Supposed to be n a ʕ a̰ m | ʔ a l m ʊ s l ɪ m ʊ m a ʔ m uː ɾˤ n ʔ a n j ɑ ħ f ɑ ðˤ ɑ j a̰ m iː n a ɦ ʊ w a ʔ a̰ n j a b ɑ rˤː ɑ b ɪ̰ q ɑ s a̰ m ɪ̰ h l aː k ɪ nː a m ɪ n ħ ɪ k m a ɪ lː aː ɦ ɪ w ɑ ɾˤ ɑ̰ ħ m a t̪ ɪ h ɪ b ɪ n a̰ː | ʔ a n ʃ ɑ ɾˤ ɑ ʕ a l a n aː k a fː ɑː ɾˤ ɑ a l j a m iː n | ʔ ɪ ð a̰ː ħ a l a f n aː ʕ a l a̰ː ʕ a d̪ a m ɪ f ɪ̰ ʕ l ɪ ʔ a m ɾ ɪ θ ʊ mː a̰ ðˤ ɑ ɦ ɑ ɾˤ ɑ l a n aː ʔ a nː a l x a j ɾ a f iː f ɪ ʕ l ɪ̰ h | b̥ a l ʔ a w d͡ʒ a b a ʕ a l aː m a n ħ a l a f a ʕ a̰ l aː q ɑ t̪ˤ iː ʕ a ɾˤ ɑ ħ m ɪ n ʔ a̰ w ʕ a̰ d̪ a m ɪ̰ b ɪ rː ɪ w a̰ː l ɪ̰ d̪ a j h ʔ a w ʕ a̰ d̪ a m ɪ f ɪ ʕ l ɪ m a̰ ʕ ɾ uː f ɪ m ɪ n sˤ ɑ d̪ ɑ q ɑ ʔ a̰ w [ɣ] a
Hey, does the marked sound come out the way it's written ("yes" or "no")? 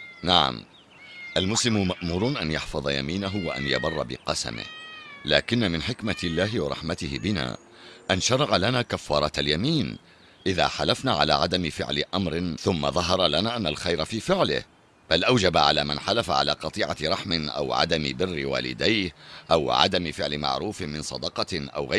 yes